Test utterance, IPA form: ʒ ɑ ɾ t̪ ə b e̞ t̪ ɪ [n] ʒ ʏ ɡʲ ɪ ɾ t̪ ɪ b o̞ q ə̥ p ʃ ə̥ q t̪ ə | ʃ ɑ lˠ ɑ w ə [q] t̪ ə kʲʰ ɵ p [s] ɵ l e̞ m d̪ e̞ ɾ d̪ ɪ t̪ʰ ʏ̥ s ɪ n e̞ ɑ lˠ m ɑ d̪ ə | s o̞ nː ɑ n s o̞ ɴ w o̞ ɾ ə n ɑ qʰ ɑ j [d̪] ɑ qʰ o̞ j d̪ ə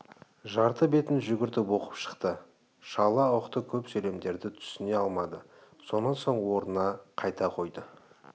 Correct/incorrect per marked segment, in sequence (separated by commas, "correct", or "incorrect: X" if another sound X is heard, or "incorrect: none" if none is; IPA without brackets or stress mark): correct, correct, correct, incorrect: t̪